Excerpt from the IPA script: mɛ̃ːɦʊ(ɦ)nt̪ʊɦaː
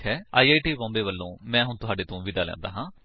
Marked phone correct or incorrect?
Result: incorrect